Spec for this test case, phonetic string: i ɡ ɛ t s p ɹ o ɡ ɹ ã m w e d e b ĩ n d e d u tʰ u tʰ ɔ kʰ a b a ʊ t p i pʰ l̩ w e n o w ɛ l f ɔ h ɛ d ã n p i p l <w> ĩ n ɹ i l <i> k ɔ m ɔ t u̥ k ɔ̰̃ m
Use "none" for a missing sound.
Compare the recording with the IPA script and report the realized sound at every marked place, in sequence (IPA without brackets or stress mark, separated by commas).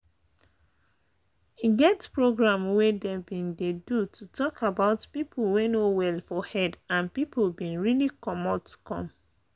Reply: b, i